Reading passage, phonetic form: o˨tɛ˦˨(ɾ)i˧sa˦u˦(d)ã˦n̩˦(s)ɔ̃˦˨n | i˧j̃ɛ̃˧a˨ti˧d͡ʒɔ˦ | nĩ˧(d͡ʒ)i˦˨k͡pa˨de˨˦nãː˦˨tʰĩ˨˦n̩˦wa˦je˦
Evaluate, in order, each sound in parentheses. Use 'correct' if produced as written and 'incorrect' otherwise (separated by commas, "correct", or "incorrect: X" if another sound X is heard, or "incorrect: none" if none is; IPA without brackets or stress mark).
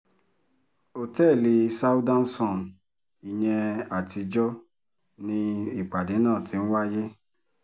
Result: incorrect: l, correct, correct, incorrect: none